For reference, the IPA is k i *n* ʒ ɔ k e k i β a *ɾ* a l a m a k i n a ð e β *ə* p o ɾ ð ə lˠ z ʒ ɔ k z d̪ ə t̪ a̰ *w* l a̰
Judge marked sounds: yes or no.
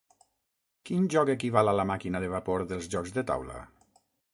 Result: yes, no, no, yes

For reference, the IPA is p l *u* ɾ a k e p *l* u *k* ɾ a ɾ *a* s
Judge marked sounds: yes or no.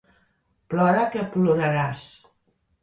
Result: no, yes, no, yes

